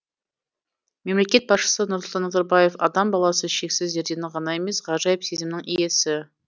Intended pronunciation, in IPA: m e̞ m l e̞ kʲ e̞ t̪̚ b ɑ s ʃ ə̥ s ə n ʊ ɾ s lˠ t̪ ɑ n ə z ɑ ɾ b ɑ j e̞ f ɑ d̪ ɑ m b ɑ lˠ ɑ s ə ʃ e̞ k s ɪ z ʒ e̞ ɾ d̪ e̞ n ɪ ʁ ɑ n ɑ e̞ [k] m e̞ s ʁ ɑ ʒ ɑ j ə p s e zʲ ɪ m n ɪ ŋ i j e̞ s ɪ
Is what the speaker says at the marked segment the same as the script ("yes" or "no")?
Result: no